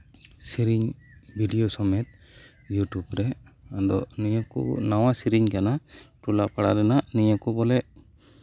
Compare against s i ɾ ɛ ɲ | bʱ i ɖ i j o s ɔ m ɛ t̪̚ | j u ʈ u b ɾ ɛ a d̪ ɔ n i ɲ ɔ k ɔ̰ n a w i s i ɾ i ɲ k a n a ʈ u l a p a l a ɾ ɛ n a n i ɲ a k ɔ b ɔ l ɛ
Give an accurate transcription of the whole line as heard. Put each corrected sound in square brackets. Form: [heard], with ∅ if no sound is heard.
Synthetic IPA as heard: s i ɾ [i] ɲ | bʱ i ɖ i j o s ɔ m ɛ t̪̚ | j u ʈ u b ɾ ɛ a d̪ ɔ n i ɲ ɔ k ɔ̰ n a w [a] s i ɾ i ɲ k a n a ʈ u l a p a [ɽ] a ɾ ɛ n a n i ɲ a k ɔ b ɔ l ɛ